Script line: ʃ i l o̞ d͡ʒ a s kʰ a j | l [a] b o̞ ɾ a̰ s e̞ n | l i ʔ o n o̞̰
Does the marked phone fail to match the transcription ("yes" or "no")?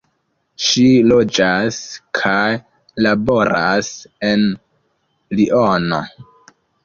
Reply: no